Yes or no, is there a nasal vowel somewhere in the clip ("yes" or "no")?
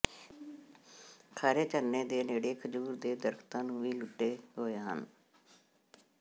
yes